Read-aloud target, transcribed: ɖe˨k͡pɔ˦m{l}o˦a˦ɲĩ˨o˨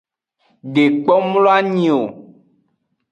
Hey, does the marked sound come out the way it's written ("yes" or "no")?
yes